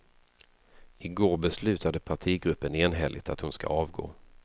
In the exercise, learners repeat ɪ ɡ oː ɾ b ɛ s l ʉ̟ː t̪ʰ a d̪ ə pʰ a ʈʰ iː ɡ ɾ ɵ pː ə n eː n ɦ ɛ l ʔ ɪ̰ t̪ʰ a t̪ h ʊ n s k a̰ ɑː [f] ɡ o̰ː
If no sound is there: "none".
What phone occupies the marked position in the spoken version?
v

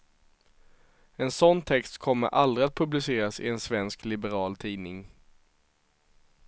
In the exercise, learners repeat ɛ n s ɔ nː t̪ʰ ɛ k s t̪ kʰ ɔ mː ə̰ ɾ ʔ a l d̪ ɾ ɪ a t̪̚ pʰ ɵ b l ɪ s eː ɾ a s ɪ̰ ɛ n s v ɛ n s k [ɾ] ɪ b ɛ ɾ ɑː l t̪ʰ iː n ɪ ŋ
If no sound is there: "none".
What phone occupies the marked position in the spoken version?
l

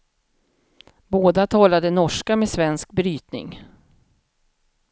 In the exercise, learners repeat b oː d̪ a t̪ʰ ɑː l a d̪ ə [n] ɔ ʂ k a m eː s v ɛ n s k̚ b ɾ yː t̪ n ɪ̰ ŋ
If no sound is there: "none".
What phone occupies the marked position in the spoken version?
n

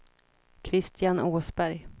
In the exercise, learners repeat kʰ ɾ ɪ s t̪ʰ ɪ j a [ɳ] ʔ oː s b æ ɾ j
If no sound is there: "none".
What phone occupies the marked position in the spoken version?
n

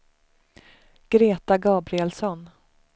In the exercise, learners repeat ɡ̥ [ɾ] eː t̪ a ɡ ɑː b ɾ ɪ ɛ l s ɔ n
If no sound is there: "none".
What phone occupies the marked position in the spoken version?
ɾ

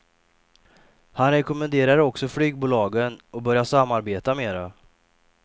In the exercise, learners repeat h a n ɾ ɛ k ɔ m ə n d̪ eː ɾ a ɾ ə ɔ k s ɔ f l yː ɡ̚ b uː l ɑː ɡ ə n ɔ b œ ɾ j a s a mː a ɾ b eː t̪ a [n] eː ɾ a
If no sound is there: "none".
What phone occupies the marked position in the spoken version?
m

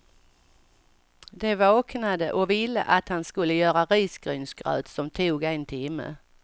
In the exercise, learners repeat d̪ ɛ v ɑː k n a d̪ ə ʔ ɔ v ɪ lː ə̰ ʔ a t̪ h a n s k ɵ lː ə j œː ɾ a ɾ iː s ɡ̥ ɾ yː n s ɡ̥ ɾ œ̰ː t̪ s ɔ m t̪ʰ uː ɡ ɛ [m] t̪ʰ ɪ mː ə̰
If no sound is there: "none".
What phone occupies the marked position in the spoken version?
n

